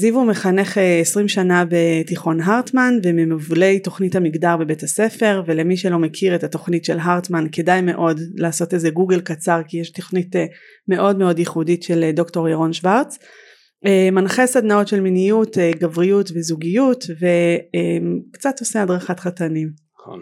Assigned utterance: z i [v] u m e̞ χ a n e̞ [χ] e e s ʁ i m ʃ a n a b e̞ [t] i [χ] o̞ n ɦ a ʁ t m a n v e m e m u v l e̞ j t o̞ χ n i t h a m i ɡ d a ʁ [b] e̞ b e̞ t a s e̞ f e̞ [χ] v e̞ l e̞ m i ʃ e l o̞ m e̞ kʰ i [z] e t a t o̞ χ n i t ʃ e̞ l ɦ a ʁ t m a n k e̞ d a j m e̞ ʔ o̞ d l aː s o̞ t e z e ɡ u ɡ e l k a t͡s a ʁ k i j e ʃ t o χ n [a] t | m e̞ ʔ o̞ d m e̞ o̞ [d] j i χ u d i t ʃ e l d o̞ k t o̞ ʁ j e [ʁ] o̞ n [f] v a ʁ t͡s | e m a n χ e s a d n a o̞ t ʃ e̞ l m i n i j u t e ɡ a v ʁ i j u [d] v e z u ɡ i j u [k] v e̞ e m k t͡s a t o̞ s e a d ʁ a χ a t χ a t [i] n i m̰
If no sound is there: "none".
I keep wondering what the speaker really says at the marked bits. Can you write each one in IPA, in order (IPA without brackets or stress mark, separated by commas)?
v, χ, t, χ, b, ʁ, ʁ, i, d, ʁ, ʃ, t, t, a